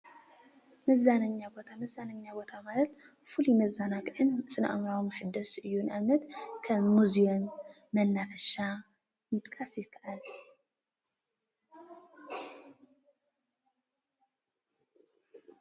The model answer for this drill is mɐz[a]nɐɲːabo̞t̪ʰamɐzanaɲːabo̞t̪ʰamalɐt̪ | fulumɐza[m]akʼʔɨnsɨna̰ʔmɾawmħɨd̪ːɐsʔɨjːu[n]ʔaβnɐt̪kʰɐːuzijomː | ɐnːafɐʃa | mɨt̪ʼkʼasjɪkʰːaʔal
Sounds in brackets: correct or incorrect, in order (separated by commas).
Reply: correct, incorrect, correct